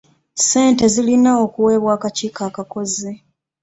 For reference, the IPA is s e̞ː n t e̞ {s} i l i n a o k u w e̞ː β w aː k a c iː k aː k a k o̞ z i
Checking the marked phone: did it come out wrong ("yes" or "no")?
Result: yes